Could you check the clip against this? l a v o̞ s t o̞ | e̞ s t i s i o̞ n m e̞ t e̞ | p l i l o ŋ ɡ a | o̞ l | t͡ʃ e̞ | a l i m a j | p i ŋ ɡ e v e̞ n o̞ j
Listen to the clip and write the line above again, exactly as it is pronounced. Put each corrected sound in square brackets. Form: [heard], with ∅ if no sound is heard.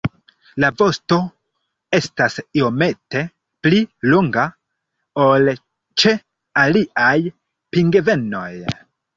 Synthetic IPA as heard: l a v o̞ s t o̞ | e̞ s t [a] s i o̞ [∅] m e̞ t e̞ | p l i l o ŋ ɡ a | o̞ l | t͡ʃ e̞ | a l i [∅] a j | p i ŋ ɡ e v e̞ n o̞ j